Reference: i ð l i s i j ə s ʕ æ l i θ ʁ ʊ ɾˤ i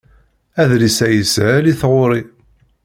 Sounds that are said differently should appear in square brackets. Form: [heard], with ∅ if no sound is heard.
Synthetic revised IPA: [æ] ð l i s [æ] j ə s ʕ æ l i θ ʁ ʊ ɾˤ i